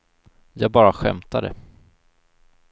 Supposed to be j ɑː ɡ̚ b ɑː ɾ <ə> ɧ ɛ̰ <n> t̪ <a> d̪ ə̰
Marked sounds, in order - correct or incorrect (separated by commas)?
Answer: incorrect, incorrect, correct